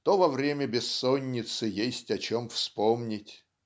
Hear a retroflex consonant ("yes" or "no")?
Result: no